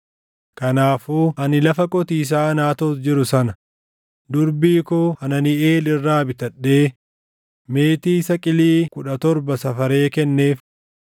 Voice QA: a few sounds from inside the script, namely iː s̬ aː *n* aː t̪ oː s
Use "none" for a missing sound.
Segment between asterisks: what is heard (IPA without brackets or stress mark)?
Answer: n